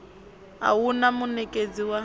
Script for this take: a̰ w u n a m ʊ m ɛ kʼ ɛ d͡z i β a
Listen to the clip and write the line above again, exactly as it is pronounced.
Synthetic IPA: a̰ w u n a m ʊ n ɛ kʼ e d͡z i w a